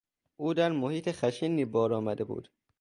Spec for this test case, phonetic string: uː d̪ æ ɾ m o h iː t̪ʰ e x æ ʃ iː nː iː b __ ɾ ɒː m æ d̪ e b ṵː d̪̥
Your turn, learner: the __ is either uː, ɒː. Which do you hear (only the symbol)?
ɒː